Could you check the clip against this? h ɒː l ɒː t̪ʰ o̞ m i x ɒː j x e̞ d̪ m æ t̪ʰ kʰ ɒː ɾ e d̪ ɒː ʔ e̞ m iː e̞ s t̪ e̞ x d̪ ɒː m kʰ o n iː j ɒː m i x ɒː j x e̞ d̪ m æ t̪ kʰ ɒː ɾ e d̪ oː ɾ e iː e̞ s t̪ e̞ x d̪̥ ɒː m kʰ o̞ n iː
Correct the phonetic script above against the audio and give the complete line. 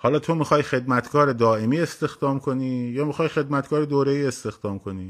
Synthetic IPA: h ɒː l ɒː t̪ʰ o̞ m i x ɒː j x e̞ d̪ m æ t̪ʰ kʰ ɒː ɾ e d̪ ɒː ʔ e̞ m iː e̞ s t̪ e̞ x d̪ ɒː m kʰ o n iː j ɒː m i x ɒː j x e̞ d̪ m æ t̪ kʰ ɒː ɾ e d̪ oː ɾ e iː e̞ s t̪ e̞ x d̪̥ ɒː m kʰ o̞ n iː